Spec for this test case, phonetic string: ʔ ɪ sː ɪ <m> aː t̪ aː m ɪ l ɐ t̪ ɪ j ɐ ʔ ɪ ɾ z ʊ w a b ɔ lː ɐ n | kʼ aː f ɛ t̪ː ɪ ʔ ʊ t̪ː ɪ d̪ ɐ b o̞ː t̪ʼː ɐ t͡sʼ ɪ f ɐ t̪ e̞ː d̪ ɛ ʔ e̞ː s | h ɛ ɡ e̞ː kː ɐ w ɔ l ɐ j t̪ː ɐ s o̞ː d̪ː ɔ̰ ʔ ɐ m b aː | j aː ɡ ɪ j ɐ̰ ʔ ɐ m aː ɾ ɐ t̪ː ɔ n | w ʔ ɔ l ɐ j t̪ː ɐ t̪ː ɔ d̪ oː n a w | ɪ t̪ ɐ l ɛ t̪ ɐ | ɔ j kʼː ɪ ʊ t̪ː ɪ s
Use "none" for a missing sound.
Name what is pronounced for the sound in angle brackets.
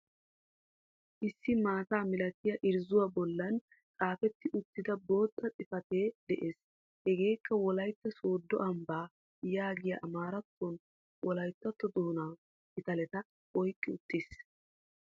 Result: m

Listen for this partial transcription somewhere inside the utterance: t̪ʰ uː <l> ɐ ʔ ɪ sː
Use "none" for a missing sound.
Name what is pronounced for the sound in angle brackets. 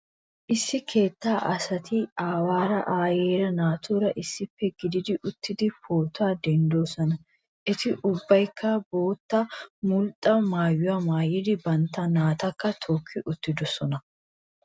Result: ɾ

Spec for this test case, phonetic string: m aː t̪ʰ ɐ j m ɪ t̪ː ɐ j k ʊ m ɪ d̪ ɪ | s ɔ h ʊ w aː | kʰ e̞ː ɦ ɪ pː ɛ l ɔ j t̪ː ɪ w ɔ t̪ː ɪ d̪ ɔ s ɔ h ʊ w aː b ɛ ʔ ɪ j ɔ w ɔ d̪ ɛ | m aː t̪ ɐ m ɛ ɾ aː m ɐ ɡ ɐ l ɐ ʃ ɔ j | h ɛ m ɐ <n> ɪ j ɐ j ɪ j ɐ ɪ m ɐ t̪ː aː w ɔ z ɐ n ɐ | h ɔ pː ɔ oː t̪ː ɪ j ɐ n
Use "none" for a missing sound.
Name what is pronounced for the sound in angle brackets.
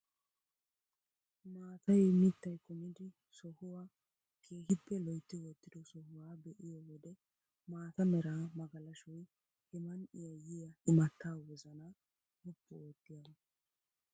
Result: n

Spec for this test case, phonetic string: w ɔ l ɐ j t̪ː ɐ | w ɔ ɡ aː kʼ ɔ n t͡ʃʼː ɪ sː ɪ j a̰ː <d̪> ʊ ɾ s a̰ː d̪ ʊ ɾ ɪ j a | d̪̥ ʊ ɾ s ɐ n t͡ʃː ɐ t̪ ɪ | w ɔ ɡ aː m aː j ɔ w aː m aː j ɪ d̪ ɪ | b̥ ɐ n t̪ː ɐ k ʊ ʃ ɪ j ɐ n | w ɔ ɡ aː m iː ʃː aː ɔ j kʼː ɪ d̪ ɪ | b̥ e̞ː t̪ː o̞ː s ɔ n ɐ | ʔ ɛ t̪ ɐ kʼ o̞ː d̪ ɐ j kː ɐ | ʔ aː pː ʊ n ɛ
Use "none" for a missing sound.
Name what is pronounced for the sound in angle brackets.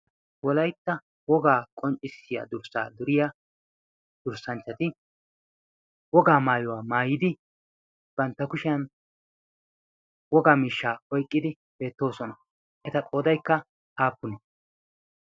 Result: d̪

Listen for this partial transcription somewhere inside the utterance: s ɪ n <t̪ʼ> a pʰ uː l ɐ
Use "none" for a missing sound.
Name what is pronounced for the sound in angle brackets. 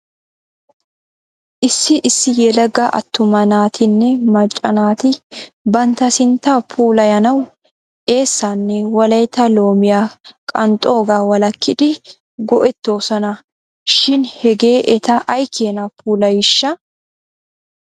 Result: t̪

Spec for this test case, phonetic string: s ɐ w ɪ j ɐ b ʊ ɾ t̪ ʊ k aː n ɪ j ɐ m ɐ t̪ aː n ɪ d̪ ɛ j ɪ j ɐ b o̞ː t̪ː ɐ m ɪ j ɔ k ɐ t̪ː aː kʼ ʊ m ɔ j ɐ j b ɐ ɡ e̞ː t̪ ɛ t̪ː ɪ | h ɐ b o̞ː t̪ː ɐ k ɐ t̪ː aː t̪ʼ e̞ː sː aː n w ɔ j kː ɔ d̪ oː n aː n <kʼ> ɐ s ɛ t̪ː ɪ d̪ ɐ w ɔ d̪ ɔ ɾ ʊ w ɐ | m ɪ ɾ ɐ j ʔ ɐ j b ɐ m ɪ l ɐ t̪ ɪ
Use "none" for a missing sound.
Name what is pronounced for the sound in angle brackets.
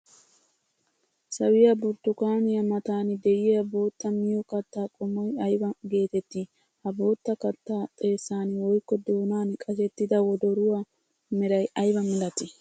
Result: kʼ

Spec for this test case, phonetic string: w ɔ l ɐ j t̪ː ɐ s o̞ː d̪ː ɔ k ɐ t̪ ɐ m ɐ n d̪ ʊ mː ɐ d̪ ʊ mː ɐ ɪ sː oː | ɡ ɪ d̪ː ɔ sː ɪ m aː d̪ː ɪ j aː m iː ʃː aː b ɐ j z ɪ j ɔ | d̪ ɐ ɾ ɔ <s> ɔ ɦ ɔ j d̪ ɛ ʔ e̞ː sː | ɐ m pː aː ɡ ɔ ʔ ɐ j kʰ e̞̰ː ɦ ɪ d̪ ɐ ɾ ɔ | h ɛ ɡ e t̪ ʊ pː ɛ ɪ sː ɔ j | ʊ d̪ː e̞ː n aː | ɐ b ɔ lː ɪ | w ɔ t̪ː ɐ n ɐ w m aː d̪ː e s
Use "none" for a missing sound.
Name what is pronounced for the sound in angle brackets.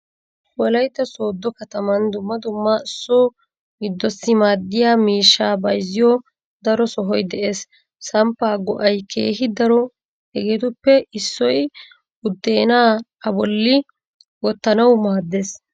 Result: s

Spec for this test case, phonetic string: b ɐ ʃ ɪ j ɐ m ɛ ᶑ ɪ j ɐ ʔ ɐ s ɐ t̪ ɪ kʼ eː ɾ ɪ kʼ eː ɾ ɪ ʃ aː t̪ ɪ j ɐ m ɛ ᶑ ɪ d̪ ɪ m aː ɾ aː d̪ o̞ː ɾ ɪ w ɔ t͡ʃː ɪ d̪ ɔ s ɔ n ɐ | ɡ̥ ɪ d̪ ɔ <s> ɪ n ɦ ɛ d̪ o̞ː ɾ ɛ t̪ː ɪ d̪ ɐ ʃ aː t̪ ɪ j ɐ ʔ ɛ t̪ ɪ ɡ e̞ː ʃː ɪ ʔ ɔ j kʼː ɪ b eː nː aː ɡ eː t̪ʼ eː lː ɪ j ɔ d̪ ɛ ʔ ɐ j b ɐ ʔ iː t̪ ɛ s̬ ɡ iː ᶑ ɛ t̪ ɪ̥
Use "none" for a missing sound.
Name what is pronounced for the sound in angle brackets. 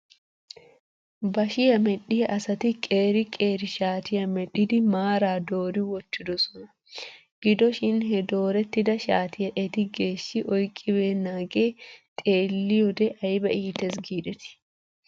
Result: ʃ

